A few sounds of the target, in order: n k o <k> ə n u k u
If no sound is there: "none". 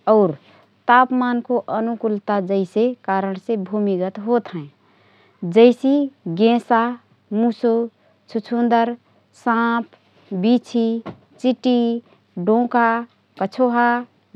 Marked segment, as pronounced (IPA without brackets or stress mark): ʔ